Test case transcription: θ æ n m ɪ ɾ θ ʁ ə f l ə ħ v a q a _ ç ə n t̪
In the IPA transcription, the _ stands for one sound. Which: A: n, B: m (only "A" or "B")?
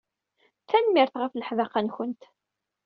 A